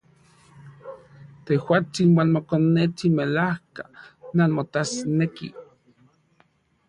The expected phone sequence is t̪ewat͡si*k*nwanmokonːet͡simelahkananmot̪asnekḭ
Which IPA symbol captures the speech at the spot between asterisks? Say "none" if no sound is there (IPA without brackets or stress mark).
none